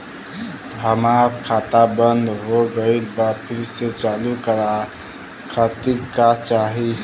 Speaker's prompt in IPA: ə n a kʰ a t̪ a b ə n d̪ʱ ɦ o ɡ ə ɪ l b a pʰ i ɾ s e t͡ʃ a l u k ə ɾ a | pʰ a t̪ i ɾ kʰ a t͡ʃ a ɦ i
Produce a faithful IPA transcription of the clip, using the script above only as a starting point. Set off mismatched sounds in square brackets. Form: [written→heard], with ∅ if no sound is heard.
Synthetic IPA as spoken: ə [n→m] a kʰ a t̪ a b ə n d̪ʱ ɦ o ɡ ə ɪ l b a pʰ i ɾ s e t͡ʃ a l u k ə ɾ a | [pʰ→kʰ] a t̪ i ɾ [kʰ→k] a t͡ʃ a ɦ i